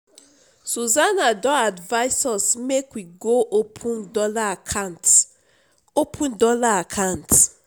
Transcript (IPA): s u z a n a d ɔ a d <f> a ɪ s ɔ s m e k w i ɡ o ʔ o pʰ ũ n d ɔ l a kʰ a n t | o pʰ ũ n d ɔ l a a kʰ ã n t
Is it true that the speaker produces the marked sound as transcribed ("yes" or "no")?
no